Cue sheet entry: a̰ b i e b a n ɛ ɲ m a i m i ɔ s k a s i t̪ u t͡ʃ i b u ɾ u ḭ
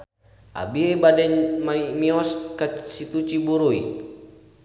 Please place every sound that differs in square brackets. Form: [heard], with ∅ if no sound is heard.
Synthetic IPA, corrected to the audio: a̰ b i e b a [d] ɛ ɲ m a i m i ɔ s k a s i t̪ u t͡ʃ i b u ɾ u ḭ